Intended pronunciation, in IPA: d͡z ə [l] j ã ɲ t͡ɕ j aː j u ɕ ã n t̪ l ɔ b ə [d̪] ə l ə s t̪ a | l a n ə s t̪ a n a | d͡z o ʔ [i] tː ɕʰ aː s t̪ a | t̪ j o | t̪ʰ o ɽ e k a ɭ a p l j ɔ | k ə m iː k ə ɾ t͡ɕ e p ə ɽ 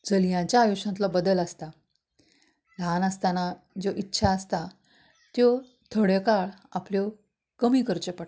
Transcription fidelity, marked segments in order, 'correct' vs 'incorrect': correct, correct, correct

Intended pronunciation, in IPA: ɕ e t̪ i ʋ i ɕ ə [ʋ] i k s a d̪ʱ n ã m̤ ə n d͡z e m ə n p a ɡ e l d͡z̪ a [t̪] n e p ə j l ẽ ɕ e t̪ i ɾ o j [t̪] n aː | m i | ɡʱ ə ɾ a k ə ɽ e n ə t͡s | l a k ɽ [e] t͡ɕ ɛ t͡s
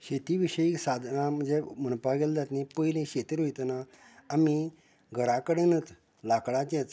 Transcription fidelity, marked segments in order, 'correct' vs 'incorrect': incorrect, correct, correct, incorrect

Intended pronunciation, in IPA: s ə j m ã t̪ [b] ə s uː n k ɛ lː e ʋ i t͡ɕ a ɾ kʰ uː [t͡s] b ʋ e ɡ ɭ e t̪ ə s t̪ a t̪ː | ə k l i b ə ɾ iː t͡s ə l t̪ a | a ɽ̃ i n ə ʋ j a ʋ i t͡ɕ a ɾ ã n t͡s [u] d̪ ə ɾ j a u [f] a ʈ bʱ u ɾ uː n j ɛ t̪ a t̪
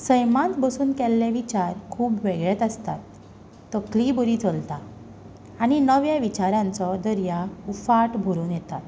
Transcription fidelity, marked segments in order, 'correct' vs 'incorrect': correct, incorrect, incorrect, correct

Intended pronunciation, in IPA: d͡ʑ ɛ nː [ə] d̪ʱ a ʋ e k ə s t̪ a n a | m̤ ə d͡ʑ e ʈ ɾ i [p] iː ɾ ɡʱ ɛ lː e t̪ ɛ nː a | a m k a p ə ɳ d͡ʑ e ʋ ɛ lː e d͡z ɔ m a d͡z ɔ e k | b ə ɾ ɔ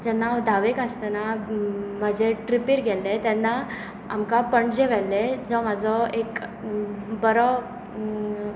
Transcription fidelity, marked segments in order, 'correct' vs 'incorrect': incorrect, correct

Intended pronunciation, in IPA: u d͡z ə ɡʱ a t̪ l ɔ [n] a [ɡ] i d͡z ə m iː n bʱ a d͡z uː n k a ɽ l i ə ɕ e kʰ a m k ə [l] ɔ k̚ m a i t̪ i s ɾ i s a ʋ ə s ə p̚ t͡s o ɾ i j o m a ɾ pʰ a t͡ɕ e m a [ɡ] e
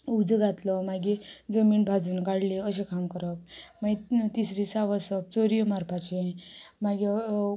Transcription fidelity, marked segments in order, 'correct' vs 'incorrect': incorrect, correct, incorrect, correct

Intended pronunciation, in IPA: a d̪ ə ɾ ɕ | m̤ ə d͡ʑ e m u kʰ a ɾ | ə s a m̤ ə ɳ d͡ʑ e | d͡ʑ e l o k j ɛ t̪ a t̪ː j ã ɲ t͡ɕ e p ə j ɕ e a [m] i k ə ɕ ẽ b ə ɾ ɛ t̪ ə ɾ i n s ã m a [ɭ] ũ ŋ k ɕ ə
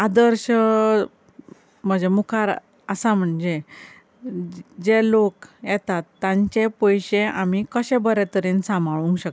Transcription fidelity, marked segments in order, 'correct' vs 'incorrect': correct, correct

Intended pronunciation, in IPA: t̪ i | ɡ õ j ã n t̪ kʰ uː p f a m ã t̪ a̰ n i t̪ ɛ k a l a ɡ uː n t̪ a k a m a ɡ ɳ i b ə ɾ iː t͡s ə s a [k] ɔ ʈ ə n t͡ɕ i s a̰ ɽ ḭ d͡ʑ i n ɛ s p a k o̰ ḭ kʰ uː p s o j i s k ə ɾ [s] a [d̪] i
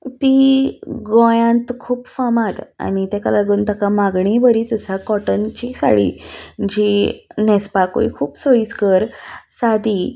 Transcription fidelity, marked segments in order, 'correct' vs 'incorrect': correct, correct, correct

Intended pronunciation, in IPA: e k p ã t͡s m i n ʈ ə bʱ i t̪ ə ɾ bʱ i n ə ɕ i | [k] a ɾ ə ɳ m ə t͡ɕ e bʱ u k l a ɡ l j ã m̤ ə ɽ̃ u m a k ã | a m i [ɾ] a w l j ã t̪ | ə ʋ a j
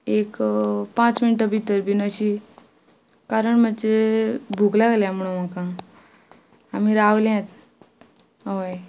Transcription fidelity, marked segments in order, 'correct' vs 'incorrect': correct, correct

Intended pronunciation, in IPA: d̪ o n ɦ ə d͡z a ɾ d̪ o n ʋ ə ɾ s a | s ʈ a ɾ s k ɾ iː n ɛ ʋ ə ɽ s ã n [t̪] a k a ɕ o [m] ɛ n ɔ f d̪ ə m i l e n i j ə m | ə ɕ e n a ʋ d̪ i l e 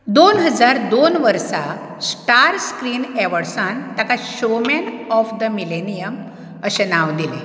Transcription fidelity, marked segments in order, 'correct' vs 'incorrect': correct, correct

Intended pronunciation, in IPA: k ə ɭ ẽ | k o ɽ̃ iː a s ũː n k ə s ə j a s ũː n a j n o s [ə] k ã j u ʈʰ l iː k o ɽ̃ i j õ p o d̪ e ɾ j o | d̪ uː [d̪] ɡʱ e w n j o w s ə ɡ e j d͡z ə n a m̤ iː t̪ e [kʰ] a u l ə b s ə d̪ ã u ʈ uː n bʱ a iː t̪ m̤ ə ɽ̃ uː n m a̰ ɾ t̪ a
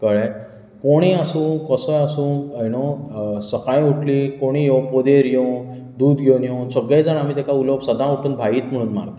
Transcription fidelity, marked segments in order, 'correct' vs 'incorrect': correct, correct, incorrect

